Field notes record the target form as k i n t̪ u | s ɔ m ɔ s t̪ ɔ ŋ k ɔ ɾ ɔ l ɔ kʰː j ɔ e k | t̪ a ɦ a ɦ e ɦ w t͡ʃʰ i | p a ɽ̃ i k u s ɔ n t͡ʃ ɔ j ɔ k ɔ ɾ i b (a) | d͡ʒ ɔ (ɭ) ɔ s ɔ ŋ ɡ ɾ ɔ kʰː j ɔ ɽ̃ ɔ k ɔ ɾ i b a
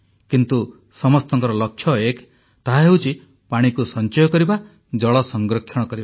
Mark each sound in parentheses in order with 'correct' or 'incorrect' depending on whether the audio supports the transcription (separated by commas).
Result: correct, correct